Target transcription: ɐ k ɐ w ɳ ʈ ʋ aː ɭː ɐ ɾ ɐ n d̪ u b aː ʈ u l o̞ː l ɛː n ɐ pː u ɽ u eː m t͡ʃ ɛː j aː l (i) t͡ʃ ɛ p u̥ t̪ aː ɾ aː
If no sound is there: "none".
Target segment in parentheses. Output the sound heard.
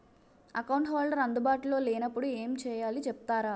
i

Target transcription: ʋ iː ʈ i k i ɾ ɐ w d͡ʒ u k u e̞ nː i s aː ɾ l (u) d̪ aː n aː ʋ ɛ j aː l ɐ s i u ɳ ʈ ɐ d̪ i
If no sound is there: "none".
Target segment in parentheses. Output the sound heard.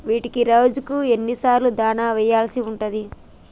u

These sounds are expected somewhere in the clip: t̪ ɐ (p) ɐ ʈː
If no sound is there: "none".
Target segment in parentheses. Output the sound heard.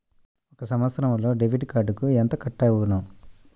k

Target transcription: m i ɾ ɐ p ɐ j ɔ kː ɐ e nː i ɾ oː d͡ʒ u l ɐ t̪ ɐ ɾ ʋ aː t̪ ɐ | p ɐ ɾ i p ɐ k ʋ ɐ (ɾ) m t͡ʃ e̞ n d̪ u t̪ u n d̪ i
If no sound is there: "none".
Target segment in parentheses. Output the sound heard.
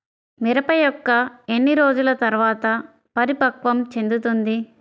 none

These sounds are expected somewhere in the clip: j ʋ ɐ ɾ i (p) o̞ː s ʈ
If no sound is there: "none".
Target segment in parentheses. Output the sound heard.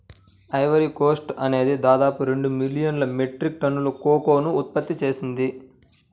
k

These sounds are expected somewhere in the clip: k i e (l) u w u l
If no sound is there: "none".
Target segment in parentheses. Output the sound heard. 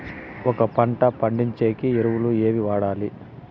ɾ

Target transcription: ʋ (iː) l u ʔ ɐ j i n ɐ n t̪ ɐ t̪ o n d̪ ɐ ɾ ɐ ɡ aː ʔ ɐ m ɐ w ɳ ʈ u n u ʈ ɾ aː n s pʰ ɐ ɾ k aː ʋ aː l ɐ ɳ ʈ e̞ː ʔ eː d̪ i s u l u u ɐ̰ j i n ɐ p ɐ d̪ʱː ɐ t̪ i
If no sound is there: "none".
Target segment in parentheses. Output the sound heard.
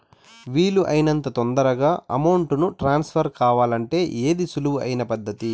iː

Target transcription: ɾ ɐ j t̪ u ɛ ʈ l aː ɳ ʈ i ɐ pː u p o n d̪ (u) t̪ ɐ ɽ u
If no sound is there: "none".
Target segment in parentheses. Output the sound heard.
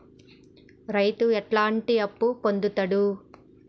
u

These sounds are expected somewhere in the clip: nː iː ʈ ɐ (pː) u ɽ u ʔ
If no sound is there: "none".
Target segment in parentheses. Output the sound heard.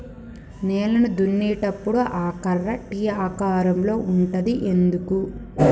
pː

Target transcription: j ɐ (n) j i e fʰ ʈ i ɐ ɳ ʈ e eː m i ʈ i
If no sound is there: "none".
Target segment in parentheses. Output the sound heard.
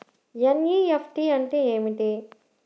n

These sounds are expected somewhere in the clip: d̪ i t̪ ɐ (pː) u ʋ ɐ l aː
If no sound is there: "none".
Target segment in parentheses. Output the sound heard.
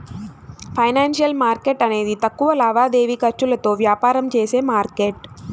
kː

